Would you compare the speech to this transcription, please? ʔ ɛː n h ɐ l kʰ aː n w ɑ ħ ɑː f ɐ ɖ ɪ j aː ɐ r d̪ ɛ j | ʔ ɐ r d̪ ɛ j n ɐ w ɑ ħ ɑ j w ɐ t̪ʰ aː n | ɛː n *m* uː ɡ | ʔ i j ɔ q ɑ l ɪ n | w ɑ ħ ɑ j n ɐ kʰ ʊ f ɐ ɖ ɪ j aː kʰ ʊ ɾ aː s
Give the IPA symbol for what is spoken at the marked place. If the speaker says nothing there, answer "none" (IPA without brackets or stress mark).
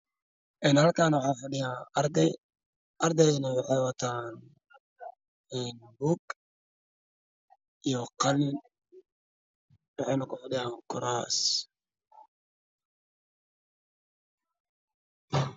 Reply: b